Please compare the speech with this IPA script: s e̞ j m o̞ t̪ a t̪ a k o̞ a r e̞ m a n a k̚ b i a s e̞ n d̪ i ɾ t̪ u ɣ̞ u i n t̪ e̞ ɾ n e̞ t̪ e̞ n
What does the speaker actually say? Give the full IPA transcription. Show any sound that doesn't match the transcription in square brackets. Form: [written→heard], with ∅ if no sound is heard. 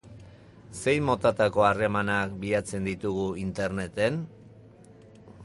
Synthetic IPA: s e̞ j m o̞ t̪ a t̪ a k o̞ a r e̞ m a n a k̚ b i a [s→t͡s] e̞ n d̪ i [ɾ→∅] t̪ u ɣ̞ u i n t̪ e̞ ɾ n e̞ t̪ e̞ n

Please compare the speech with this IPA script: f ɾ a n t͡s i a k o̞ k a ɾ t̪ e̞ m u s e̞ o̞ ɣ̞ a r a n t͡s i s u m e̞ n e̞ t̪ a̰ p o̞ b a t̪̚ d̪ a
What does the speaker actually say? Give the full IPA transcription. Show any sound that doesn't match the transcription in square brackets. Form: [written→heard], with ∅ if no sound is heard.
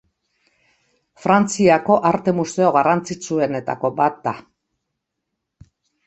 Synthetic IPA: f ɾ a n t͡s i a k o̞ [k→ʔ] a ɾ t̪ e̞ m u s e̞ o̞ ɣ̞ a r a n t͡s i [s→t͡s] u [m→∅] e̞ n e̞ t̪ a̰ [p→k] o̞ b a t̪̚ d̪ a

